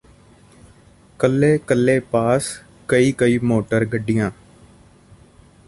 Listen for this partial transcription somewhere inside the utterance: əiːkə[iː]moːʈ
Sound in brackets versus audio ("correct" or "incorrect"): correct